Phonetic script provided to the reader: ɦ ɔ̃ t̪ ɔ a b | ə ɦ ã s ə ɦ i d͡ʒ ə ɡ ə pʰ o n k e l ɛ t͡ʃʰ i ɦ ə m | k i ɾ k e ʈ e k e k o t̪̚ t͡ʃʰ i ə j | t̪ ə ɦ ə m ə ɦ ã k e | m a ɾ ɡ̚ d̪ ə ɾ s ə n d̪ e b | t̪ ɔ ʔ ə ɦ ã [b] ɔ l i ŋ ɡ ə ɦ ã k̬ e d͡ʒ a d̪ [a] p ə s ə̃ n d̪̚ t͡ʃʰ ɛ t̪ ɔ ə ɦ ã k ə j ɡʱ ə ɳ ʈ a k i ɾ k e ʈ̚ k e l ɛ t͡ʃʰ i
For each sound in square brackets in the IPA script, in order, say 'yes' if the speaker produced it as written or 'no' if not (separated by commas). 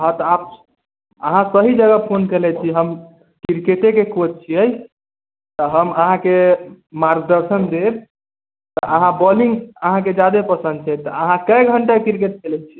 yes, no